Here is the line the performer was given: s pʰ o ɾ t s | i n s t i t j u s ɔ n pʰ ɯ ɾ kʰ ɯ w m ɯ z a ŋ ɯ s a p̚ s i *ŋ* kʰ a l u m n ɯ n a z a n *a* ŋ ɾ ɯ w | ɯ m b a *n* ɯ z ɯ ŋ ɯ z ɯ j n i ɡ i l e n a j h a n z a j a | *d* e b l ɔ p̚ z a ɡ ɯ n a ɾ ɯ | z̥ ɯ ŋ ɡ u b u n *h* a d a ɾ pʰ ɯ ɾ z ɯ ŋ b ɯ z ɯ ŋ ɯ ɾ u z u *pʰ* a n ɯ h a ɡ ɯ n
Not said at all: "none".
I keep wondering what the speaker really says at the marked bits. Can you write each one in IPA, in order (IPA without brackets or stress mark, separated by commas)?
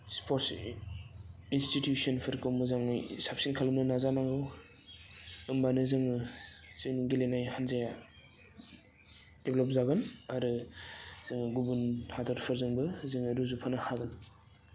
n, a, n, d, h, pʰ